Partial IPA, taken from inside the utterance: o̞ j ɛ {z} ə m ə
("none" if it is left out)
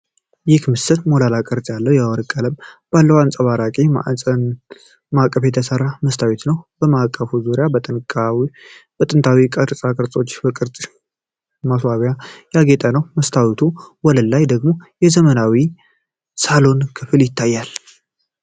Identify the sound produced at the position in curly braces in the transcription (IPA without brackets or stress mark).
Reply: z